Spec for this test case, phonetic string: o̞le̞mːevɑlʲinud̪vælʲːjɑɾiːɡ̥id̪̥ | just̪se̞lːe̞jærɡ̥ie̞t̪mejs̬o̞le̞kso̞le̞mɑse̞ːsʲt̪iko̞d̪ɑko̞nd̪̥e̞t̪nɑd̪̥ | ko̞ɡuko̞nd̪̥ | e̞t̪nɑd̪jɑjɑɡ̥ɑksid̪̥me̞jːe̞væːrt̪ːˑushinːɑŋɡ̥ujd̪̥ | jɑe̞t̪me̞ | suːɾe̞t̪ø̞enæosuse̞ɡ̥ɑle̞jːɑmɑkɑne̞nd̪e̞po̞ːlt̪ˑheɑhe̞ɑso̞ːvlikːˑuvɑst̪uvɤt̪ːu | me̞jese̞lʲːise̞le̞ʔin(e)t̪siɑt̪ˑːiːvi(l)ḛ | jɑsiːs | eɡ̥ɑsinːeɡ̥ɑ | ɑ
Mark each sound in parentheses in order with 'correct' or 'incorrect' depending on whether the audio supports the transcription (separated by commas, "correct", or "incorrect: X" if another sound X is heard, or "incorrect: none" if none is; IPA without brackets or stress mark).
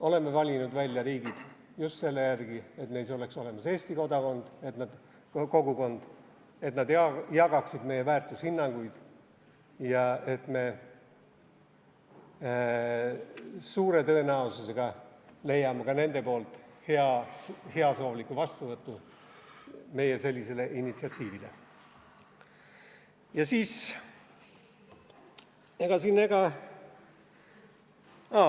incorrect: i, correct